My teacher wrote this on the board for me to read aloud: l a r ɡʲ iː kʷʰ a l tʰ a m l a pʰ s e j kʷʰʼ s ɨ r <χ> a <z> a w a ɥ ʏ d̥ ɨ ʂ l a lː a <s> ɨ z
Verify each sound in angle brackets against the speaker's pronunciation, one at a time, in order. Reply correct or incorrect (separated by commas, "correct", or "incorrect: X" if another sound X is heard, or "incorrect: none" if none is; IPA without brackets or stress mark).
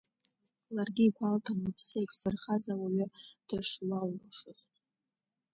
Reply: correct, correct, incorrect: ʂ